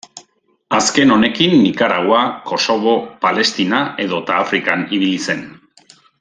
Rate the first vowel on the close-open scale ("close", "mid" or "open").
open